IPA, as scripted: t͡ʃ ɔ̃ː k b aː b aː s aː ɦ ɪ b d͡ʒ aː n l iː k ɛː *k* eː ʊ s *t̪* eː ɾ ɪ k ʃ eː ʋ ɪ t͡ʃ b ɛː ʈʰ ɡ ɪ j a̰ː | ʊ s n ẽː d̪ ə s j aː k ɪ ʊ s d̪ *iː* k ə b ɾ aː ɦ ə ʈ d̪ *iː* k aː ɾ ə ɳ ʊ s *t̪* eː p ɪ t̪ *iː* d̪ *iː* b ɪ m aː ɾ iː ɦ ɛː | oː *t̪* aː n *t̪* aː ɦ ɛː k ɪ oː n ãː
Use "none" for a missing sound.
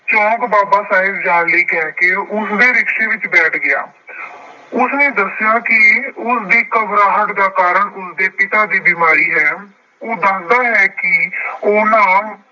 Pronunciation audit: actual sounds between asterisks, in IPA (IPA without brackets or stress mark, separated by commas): k, d̪, iː, aː, d̪, aː, iː, d̪, d̪